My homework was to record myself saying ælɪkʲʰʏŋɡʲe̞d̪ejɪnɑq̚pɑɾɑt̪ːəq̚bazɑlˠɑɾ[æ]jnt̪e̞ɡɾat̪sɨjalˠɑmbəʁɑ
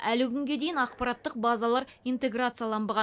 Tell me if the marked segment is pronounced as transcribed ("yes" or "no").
no